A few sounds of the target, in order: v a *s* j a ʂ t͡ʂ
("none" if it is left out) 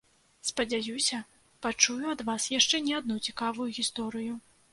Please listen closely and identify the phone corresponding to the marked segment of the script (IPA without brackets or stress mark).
s